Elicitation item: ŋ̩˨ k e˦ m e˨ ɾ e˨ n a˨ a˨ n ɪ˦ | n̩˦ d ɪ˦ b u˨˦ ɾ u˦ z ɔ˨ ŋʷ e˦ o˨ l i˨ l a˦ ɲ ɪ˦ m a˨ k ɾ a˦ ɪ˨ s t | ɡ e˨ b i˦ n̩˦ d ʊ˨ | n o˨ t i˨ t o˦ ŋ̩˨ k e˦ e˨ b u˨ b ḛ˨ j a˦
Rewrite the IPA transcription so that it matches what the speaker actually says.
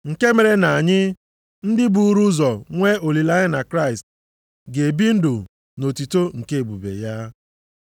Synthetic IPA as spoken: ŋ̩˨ k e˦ m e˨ ɾ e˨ n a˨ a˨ ɲ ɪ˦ | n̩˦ d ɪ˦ b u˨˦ ɾ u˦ z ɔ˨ ŋʷ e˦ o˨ l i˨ l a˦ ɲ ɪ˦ n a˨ k ɾ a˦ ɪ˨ s t | ɡ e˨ b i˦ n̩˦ d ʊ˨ | n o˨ t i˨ t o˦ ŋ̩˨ k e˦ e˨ b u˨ b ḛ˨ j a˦